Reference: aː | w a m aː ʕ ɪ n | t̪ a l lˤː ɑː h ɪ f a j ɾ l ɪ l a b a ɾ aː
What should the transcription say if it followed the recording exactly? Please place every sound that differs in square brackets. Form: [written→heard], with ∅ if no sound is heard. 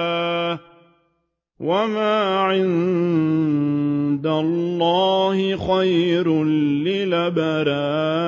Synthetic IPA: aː | w a m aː ʕ ɪ n | [t̪→d̪] a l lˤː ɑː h ɪ [f→x] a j ɾ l ɪ l a b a ɾ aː